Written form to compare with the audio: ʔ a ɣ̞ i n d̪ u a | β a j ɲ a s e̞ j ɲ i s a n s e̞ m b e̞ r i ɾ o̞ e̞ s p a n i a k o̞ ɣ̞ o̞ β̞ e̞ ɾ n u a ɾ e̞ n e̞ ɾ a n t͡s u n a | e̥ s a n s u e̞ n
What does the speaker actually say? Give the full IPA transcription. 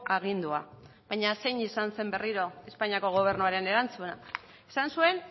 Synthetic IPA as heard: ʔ a ɣ̞ i n d̪ u a | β a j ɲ a s e̞ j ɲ i s a n s e̞ m b e̞ r i ɾ o̞ e̞ s p a ɲ i a k o̞ ɣ̞ o̞ β̞ e̞ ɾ n u a ɾ e̞ n e̞ ɾ a n t͡s u n a | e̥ s a n s u e̞ n